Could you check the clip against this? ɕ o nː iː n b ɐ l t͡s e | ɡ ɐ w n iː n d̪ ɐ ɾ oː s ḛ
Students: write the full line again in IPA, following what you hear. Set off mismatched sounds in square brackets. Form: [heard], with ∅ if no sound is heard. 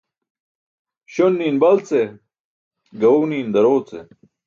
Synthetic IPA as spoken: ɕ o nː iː n b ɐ l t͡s e | ɡ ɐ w n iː n d̪ ɐ ɾ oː [t͡s] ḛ

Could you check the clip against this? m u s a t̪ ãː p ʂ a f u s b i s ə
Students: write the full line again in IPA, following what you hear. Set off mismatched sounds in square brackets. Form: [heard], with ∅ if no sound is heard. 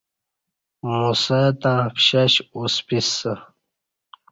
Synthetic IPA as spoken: m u s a t̪ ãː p [ɕ] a [ɕ] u s [p] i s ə

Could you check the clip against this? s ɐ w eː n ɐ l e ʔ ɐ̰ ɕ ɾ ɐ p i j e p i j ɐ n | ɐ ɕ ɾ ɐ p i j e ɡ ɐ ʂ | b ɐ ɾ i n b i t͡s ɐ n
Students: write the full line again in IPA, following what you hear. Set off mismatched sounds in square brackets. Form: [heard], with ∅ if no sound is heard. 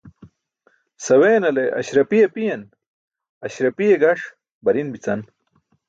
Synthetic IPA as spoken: s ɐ w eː n ɐ l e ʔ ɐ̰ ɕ ɾ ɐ p i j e p i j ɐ n | ɐ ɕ ɾ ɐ p i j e ɡ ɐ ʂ | b ɐ ɾ i n b i t͡s ɐ n

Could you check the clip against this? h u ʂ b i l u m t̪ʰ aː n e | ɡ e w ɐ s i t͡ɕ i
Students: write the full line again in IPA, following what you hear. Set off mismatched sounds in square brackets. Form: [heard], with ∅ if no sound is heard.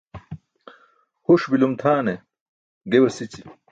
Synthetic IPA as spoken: h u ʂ b i l u m t̪ʰ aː n e | ɡ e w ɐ s i t͡ɕ i

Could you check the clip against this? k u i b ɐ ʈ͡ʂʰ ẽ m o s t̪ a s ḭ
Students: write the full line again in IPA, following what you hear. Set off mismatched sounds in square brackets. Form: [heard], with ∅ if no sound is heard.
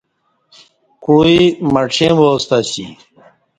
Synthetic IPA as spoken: k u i [m] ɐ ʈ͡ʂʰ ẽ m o s t̪ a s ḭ

